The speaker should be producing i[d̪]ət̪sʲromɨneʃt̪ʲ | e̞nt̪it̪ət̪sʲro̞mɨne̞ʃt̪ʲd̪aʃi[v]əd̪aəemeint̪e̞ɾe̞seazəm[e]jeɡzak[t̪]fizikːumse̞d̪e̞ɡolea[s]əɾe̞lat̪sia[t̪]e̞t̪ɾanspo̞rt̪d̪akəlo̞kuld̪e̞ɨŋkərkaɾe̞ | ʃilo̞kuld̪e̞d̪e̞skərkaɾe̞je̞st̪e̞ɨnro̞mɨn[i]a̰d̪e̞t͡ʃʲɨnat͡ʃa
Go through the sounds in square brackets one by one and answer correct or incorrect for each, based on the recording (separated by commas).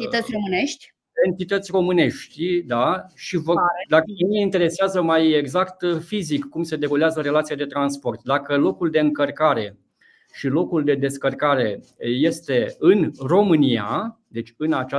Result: incorrect, correct, incorrect, correct, incorrect, incorrect, correct